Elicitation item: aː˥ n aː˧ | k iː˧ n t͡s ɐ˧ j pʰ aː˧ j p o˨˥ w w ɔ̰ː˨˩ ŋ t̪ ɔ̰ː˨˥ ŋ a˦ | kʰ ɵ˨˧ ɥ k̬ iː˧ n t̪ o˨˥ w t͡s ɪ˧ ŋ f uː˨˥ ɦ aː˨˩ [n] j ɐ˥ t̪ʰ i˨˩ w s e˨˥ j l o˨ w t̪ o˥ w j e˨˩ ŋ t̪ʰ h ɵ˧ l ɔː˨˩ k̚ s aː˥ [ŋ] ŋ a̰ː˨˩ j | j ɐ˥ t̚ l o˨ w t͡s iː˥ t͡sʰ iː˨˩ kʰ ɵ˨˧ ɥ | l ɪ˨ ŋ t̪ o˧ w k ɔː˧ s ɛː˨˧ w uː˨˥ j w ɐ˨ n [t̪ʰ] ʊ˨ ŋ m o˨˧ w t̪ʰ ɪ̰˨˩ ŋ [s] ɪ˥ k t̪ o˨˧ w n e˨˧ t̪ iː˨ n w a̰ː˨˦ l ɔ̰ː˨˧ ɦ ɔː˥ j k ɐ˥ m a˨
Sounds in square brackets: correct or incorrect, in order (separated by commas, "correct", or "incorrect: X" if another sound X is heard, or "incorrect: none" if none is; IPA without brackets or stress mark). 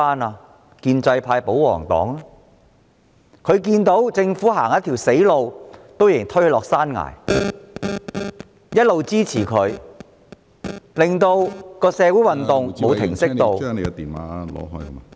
incorrect: ŋ, incorrect: n, incorrect: t̪, correct